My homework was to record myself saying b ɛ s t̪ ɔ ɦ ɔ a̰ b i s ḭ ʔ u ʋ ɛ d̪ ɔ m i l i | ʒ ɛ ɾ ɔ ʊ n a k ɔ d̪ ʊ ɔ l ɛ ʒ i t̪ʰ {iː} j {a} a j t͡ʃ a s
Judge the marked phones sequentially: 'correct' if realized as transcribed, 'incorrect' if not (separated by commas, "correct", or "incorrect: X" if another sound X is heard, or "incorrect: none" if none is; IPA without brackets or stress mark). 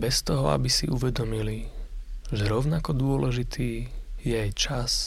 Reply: correct, incorrect: ɛ